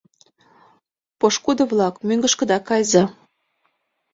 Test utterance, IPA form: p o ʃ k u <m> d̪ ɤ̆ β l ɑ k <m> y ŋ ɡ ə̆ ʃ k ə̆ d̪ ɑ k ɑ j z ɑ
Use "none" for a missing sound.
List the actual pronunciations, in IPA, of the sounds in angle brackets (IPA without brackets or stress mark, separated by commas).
none, m